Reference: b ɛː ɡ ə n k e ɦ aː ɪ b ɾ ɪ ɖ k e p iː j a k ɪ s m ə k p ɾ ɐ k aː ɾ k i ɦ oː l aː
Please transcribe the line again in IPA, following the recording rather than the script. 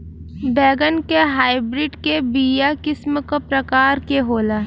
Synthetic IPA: b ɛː ɡ ə n k e ɦ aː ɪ b ɾ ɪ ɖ k e b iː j a k ɪ s m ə k p ɾ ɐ k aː ɾ k e ɦ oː l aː